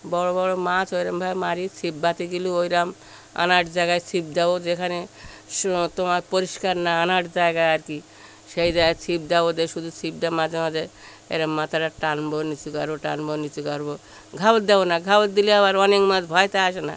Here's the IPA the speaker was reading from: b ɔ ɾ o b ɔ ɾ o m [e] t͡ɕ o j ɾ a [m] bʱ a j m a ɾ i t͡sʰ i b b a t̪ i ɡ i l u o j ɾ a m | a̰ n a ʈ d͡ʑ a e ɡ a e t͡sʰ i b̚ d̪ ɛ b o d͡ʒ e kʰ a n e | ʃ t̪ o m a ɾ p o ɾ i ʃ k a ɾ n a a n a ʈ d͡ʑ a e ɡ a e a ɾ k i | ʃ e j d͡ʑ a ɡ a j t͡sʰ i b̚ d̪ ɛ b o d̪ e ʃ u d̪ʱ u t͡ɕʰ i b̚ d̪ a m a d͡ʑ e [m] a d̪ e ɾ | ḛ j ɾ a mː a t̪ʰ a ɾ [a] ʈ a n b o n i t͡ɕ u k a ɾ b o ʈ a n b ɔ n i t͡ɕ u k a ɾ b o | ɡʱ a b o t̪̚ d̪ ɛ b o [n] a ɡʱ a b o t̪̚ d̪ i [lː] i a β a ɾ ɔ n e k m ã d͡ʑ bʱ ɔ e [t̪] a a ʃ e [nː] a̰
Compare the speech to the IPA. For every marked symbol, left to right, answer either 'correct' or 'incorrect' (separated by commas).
incorrect, correct, correct, correct, correct, incorrect, correct, incorrect